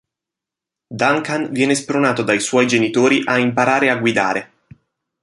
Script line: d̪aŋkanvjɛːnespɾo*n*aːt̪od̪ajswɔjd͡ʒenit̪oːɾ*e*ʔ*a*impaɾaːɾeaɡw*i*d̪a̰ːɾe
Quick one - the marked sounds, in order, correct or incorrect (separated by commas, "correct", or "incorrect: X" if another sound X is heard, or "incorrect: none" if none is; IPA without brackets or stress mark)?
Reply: correct, incorrect: i, correct, correct